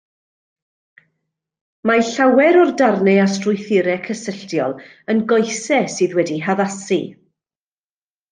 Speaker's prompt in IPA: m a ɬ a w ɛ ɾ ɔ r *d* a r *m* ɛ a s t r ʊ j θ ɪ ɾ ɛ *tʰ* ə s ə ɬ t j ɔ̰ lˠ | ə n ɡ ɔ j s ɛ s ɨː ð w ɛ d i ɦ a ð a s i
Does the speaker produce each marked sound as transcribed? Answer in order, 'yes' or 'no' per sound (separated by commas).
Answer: yes, no, no